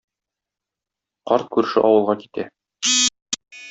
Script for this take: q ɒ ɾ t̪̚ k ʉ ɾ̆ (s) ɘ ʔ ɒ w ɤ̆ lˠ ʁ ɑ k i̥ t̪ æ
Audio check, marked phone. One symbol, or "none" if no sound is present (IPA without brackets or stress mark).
ʃ